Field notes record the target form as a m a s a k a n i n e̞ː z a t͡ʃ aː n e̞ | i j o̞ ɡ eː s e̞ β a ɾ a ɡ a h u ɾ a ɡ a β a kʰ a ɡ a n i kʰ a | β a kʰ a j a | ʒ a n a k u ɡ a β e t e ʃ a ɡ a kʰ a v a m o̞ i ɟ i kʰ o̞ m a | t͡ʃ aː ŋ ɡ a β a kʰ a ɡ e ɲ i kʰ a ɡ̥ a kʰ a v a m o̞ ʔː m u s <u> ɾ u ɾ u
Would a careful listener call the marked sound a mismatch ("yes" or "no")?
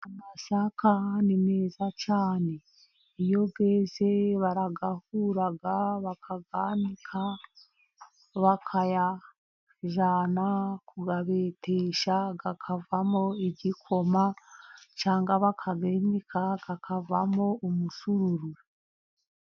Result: no